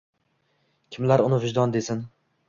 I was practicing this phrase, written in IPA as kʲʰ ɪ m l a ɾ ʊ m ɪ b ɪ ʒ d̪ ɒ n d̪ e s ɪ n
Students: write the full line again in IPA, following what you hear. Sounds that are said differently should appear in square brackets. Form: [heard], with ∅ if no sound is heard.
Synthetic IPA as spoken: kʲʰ ɪ m l a ɾ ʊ [n] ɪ [v] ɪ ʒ d̪ ɒ n d̪ e s ɪ n